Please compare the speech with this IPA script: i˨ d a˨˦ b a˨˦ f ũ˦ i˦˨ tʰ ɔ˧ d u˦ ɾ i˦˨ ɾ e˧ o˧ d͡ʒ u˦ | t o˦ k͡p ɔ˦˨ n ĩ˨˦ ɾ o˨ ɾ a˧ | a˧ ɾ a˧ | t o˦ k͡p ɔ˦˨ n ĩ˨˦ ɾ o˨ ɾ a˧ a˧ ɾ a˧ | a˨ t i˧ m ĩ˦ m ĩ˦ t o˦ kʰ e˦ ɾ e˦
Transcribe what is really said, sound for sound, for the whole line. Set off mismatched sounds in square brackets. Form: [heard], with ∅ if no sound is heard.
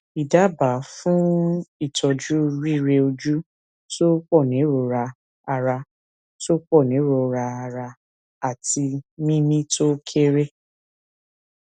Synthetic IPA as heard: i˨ d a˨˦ b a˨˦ f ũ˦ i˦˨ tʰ ɔ˧ [d͡ʒ] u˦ ɾ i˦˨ ɾ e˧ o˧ d͡ʒ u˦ | t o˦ k͡p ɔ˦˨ n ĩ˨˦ ɾ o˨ ɾ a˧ | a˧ ɾ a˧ | t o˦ k͡p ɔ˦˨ n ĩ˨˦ ɾ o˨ ɾ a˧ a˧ ɾ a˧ | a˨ t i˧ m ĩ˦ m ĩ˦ t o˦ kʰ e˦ ɾ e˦